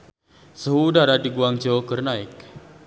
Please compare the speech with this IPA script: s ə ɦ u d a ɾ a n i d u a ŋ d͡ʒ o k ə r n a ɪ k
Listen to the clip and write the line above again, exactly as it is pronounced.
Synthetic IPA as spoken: s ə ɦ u d a ɾ a d i ɡ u a ŋ d͡ʒ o k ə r n a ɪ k

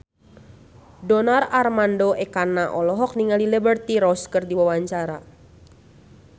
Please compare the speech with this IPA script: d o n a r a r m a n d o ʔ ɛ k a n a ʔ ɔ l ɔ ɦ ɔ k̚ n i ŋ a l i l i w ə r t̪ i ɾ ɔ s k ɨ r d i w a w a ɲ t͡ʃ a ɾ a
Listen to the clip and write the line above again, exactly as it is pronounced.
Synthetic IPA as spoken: d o n a r a r m a n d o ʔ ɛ k a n a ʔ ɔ l ɔ ɦ ɔ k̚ n i ŋ a l i l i b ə r t̪ i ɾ ɔ s k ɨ r d i w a w a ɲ t͡ʃ a ɾ a

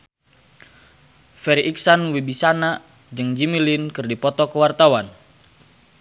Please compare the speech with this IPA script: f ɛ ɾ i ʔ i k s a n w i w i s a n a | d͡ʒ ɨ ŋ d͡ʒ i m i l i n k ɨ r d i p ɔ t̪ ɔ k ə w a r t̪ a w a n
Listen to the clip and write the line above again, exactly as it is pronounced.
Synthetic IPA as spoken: f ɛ ɾ i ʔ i k s a n w i b i s a n a | d͡ʒ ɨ ŋ d͡ʒ i m i l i n k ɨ r d i p ɔ t̪ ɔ k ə w a r t̪ a w a n

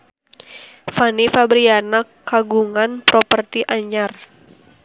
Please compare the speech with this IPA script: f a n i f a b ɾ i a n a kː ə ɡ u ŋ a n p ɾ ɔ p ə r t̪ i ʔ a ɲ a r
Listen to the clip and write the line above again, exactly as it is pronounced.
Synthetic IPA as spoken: f a n i f a b ɾ i a n a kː a ɡ u ŋ a n p ɾ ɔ p ə r t̪ i ʔ a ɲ a r

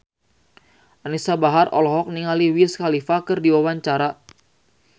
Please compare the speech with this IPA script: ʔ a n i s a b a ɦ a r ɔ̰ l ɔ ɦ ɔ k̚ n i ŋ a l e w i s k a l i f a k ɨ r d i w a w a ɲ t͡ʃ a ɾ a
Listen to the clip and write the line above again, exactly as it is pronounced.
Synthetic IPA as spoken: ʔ a n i s a b a ɦ a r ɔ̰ l ɔ ɦ ɔ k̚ n i ŋ a l i w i s k a l i f a k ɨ r d i w a w a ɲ t͡ʃ a ɾ a

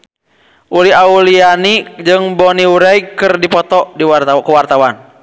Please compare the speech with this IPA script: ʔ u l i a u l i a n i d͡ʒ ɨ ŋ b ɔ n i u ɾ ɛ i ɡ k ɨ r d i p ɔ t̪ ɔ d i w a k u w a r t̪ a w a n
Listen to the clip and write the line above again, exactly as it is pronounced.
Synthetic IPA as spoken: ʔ u l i a u l i a n i d͡ʒ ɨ ŋ b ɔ n i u ɾ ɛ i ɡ k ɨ r d i p ɔ t̪ ɔ d i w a k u w a r t̪ a w a n

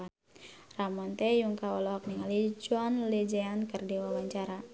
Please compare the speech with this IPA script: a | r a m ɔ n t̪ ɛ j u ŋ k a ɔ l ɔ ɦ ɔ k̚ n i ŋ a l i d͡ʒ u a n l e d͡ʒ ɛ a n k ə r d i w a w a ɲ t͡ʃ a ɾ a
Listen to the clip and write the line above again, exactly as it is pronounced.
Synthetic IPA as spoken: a | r a m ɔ n t̪ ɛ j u ŋ k a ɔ l ɔ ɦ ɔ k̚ n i ŋ a l i d͡ʒ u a n l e d͡ʒ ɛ a n k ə r d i w a w a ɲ t͡ʃ a ɾ a

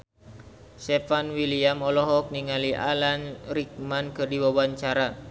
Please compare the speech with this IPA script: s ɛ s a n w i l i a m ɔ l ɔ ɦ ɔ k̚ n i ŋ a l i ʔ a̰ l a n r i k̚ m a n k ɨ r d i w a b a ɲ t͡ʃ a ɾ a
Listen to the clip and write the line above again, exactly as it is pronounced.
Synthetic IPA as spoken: s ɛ f a n w i l i a m ɔ l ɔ ɦ ɔ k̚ n i ŋ a l i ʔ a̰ l a n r i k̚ m a n k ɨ r d i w a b a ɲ t͡ʃ a ɾ a

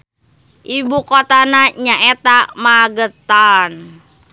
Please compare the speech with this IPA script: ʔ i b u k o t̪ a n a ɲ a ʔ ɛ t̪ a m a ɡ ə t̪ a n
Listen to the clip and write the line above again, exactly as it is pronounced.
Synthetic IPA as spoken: ʔ i b u k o t̪ a n a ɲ a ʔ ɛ t̪ a m a ɡ ə t̪ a n

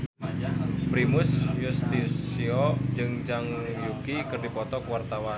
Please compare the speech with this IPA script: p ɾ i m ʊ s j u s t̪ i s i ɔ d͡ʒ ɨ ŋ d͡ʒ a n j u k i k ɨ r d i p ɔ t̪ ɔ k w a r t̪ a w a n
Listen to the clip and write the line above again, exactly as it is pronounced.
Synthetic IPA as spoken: p ɾ i m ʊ s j u s t̪ i s i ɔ d͡ʒ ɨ ŋ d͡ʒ a ŋ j u k i k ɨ r d i p ɔ t̪ ɔ k w a r t̪ a w a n

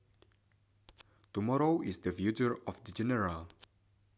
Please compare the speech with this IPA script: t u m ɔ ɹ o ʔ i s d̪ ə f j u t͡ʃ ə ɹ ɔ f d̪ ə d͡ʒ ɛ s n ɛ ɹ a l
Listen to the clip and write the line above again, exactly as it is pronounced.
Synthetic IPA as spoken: t u m ɔ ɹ o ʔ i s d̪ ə f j u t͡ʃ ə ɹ ɔ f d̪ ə d͡ʒ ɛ n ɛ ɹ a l

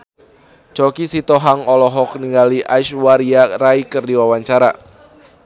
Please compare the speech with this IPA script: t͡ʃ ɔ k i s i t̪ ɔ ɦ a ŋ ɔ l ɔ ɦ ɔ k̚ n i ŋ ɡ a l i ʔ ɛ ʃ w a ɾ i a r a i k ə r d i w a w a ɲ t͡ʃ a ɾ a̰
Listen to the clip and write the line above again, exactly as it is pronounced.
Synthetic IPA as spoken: t͡ʃ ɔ k i s i t̪ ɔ ɦ a ŋ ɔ l ɔ ɦ ɔ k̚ n i ŋ ɡ a l i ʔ a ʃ w a ɾ i a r a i k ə r d i w a w a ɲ t͡ʃ a ɾ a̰

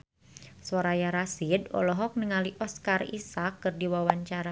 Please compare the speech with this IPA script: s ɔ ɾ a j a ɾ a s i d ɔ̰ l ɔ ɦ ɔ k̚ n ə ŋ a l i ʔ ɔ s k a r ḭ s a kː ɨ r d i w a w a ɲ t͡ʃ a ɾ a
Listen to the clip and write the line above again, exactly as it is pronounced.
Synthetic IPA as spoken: s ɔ ɾ a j a ɾ a s i d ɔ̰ l ɔ ɦ ɔ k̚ n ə ŋ a l i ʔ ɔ s k a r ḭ s a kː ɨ r d i w a w a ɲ t͡ʃ a ɾ a

